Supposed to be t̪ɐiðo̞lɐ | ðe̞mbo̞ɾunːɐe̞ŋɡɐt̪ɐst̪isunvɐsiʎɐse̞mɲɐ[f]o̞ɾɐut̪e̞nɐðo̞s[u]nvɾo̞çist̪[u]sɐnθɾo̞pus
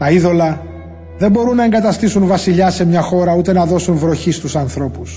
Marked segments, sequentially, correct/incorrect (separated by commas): incorrect, correct, correct